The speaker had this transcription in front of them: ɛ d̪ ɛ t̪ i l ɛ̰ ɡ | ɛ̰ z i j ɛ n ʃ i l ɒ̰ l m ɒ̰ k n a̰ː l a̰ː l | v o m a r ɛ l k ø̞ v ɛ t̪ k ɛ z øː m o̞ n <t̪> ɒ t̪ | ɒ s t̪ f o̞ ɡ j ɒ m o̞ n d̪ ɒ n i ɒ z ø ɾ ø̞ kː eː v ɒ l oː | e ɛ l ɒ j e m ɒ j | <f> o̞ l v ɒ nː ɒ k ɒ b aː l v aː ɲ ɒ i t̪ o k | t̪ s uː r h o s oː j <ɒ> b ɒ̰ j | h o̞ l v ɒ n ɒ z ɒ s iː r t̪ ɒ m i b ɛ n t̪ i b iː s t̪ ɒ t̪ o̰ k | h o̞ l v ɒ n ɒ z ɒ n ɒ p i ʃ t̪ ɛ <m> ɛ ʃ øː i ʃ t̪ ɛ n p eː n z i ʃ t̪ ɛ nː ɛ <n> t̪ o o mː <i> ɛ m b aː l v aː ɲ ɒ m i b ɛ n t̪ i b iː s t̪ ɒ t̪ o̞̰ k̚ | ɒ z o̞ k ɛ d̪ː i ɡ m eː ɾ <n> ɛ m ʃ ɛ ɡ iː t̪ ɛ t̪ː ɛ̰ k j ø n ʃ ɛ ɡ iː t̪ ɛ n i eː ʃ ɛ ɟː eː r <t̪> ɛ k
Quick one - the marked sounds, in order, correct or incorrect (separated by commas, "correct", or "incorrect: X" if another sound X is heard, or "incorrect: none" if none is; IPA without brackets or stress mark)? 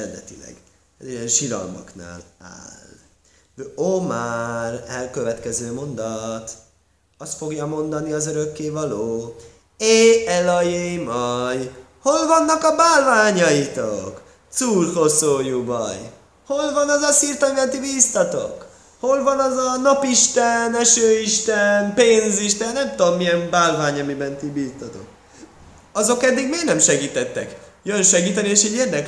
incorrect: d̪, incorrect: h, incorrect: u, incorrect: n, incorrect: m, correct, correct, incorrect: d̪